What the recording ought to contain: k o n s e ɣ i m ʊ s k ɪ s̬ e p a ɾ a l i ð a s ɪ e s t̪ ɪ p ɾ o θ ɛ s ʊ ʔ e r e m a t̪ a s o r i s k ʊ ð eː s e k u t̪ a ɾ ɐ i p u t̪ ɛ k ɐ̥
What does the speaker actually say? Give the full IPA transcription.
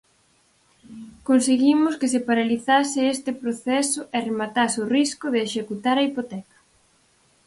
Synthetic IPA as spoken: k o n s e ɣ i m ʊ s k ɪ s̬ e p a ɾ a l i θ a s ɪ e s t̪ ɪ p ɾ o θ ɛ s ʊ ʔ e r e m a t̪ a s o r i s k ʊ ð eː ʃ e k u t̪ a ɾ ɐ i p o t̪ ɛ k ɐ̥